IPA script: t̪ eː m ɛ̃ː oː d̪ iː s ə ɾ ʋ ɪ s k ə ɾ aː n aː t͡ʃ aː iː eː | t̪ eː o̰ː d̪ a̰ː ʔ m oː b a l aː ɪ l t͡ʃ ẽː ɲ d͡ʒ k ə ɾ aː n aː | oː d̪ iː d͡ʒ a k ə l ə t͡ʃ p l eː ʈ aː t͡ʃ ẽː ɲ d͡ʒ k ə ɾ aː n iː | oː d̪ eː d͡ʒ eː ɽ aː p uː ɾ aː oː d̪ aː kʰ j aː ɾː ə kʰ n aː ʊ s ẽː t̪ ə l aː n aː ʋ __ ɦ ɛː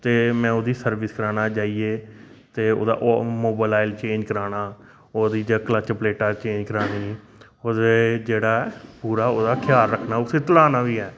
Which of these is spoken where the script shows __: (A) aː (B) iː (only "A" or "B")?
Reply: B